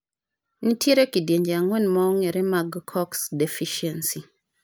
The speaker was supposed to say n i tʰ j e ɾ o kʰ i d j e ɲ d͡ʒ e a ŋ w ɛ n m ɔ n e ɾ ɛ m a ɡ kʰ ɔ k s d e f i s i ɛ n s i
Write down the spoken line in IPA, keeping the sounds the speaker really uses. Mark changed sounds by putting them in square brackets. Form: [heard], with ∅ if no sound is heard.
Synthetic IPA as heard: n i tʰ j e ɾ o [k] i d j e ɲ d͡ʒ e a ŋ w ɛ n m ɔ [ŋ] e ɾ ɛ m a ɡ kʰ ɔ k s d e f i [ʃ] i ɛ n s i